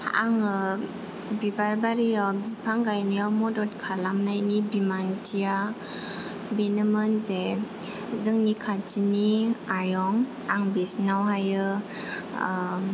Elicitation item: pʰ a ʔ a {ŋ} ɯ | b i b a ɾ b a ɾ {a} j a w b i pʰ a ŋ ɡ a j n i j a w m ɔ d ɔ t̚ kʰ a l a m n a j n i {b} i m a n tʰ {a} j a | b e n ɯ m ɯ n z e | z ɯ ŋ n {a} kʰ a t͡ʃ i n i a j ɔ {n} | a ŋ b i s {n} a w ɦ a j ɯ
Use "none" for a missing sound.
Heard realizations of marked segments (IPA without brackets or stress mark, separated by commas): ŋ, i, b, i, i, ŋ, n